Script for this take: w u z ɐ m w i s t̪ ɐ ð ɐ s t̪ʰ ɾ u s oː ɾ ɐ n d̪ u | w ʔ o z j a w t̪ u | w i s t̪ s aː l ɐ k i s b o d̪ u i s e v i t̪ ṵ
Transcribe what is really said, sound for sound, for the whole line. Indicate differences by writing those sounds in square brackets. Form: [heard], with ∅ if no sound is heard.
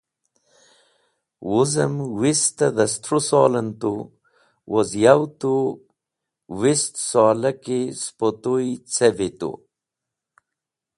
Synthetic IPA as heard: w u z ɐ m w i s t̪ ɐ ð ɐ s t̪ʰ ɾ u s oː [l] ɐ n [t̪] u | w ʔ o z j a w t̪ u | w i s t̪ s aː l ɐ k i s [p] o [t̪] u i [t͡s] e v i t̪ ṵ